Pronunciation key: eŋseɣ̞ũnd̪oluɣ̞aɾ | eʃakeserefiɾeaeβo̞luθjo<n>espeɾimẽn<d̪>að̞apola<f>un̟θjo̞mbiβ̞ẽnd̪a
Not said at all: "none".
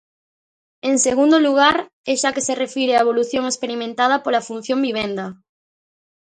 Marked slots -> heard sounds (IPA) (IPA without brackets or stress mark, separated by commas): ŋ, t̪, f